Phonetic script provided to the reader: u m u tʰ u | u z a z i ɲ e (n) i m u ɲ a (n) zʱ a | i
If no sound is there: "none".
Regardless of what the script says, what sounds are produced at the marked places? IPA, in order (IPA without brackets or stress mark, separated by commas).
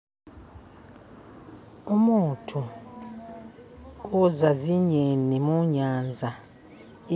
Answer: n, n